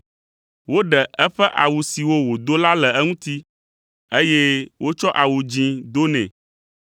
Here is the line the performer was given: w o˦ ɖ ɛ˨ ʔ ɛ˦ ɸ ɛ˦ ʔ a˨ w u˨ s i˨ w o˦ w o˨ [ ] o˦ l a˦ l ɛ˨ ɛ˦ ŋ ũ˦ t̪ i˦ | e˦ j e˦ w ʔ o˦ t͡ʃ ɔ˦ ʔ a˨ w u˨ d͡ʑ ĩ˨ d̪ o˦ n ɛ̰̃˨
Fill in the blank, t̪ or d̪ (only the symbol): d̪